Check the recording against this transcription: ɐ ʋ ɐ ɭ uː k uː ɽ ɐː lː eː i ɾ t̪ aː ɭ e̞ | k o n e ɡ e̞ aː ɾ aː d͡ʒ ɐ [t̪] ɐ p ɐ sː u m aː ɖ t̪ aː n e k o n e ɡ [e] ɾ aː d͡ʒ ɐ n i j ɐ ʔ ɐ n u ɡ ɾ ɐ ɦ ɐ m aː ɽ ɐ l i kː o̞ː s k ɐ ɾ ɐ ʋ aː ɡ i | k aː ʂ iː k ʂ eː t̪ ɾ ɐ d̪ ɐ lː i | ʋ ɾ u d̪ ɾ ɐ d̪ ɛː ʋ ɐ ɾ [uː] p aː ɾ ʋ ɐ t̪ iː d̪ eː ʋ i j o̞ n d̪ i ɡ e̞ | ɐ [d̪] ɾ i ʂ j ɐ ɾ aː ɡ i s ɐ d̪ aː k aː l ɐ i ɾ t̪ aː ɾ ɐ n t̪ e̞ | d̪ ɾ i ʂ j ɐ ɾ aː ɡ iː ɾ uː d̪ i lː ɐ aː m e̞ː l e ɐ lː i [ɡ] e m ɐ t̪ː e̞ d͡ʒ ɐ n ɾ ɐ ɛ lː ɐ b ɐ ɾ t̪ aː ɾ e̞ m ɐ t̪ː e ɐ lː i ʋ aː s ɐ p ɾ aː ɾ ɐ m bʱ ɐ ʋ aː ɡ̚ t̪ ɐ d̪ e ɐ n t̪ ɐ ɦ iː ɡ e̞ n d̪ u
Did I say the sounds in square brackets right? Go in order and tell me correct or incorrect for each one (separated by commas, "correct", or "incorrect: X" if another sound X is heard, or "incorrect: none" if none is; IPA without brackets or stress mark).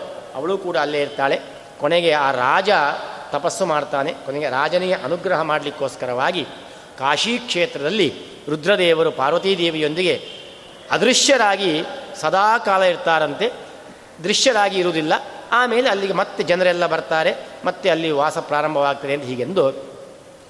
correct, correct, incorrect: u, correct, correct